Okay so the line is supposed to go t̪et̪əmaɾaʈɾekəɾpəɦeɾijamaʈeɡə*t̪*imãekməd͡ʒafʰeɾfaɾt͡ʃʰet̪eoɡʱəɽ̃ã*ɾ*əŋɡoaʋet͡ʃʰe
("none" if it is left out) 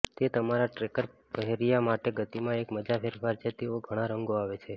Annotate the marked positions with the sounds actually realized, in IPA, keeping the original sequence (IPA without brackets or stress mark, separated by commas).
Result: t̪, ɾ